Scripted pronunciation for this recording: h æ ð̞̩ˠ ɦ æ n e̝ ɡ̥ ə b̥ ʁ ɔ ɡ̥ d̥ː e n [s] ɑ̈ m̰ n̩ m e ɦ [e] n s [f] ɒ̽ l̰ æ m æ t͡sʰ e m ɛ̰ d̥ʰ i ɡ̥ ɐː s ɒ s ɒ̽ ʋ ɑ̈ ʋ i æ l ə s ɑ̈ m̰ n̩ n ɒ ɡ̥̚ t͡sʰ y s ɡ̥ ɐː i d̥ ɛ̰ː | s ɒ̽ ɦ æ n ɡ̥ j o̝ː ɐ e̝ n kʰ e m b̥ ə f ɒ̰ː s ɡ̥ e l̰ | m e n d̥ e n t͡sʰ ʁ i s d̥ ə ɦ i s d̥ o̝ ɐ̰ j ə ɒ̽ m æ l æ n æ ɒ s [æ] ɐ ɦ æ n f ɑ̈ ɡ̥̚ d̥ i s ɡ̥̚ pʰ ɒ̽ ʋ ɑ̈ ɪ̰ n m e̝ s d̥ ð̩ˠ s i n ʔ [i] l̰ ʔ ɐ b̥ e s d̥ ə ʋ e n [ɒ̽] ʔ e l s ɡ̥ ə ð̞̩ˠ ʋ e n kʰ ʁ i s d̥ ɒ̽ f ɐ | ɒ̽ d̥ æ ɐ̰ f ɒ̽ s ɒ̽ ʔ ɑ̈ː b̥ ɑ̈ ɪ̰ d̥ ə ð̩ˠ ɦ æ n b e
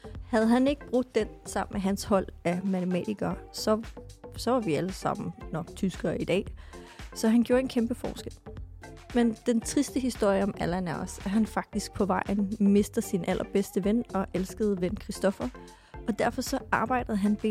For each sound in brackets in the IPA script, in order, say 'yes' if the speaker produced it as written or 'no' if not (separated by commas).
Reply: yes, no, no, yes, no, yes